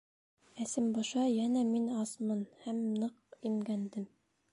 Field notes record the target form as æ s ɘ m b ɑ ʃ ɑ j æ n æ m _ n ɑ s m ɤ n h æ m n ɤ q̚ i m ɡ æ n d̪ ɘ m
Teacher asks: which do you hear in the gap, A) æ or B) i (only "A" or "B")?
B